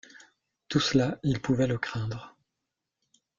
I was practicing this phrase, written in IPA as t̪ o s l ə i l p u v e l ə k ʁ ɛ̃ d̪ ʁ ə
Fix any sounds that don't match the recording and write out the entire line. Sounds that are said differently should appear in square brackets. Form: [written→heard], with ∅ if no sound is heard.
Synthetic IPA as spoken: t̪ [o→u] s l [ə→a] i l p u v [e→ɛ] l ə k [ʁ→χ] ɛ̃ d̪ ʁ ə